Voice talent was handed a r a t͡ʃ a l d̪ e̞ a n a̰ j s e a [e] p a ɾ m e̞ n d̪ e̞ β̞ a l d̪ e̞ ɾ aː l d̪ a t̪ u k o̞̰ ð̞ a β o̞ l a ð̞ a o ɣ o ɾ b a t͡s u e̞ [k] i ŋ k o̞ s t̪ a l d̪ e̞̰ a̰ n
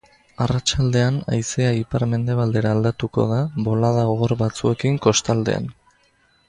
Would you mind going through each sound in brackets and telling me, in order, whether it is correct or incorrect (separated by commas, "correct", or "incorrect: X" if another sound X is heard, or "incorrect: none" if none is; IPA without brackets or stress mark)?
incorrect: i, correct